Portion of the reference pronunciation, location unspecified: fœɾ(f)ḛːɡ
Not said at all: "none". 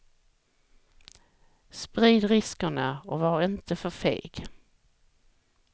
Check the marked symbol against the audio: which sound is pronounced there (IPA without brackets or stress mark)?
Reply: f